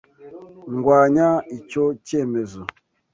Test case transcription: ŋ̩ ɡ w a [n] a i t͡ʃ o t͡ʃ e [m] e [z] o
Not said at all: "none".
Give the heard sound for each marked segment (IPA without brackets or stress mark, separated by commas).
ɲ, m, z